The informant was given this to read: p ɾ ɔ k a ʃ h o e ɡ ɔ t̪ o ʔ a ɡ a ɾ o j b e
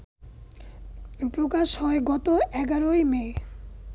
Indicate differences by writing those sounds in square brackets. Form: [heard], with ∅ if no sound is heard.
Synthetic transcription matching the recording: p ɾ [o] k a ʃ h [ɔ] e ɡ ɔ t̪ o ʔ [ɛ] ɡ a ɾ o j [m] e